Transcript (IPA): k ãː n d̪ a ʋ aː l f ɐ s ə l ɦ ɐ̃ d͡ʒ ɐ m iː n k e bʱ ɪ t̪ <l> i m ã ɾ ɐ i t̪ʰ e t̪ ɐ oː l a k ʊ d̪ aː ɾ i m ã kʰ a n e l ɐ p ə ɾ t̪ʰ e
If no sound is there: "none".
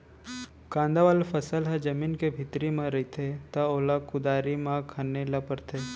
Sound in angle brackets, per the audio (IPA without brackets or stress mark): ɾ